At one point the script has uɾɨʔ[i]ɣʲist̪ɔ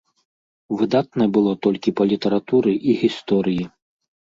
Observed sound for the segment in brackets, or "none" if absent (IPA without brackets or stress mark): i